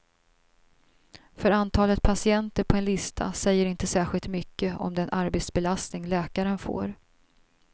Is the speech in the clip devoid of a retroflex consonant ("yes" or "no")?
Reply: yes